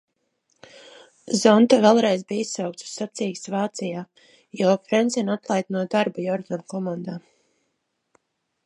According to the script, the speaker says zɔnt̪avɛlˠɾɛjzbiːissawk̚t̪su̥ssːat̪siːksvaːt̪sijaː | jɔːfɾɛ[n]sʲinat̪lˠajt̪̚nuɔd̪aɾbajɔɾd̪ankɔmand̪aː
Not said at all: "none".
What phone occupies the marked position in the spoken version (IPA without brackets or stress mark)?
n